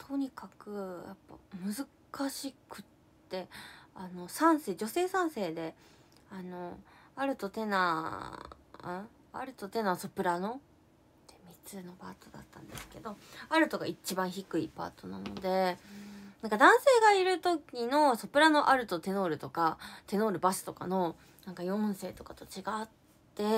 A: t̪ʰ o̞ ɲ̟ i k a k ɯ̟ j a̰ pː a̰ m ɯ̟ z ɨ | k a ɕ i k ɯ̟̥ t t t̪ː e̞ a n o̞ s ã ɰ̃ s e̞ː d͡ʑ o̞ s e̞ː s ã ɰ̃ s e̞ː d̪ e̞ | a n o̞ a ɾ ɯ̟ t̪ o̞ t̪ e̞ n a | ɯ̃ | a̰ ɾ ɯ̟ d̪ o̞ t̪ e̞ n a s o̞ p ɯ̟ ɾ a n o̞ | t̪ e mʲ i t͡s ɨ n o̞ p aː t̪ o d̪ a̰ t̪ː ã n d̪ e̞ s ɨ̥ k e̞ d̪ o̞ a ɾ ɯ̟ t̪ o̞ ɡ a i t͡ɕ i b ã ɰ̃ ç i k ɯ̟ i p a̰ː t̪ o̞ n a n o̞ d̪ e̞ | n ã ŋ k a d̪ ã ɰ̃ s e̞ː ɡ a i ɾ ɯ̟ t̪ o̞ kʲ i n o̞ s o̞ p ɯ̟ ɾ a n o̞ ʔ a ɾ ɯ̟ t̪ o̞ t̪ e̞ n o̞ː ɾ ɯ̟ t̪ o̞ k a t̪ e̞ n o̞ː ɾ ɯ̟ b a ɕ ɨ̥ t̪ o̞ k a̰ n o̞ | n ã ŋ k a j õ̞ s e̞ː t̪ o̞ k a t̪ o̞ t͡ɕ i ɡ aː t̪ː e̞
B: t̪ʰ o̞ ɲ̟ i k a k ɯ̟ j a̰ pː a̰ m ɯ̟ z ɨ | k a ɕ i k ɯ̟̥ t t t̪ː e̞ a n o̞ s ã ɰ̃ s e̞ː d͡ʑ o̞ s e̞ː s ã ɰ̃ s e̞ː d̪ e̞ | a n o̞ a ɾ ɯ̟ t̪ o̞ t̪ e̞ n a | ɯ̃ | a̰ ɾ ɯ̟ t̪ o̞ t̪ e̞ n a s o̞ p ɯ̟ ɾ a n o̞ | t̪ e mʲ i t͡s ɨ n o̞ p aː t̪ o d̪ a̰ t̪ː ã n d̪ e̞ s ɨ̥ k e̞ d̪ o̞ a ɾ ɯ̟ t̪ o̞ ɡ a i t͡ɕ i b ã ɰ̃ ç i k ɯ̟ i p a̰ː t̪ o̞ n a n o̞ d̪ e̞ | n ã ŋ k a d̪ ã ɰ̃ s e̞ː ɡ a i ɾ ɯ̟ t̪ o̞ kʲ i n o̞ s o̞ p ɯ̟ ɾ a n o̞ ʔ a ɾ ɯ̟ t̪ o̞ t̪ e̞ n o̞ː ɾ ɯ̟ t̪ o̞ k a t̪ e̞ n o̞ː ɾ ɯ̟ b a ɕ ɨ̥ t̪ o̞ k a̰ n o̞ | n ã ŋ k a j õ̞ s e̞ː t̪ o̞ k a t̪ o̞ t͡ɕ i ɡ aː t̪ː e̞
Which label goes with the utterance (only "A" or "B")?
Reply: B